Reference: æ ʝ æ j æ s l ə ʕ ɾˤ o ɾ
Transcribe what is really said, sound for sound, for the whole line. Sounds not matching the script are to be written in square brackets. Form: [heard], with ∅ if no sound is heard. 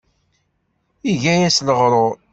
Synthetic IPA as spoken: [i] ʝ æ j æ s l ə [ʁ] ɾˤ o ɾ